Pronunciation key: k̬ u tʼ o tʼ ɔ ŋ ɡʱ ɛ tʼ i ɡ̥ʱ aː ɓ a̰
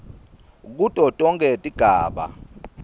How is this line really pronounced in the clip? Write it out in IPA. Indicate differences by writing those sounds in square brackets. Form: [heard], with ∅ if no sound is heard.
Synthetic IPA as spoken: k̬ u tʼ [ɔ] tʼ ɔ ŋ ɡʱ ɛ tʼ i ɡ̥ʱ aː ɓ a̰